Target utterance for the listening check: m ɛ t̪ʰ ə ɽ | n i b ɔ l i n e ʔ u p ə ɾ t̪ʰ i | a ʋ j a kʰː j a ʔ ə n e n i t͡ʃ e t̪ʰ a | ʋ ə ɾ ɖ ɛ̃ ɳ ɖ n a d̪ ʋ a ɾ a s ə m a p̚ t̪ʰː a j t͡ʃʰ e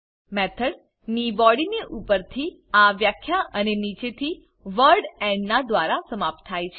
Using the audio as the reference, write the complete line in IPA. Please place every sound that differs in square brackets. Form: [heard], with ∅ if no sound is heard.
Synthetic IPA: m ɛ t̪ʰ ə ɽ | n i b ɔ [ɽ] i n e ʔ u p ə ɾ t̪ʰ i | a ʋ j a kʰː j a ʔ ə n e n i t͡ʃ e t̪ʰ [i] | ʋ ə ɾ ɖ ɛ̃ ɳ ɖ n a d̪ ʋ a ɾ a s ə m a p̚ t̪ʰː a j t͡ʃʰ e